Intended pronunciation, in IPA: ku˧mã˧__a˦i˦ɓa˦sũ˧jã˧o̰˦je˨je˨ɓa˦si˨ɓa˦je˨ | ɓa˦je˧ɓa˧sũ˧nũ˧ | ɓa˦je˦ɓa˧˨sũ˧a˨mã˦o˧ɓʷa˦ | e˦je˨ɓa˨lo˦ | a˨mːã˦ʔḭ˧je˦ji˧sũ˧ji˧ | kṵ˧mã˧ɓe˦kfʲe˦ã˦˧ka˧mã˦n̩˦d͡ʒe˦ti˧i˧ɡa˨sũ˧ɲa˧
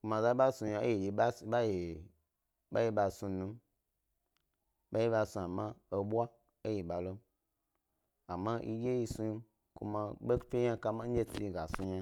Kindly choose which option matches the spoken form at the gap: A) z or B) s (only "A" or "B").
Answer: A